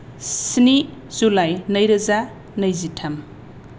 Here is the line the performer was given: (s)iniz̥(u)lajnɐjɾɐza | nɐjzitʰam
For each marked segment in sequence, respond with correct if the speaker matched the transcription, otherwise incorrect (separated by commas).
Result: correct, correct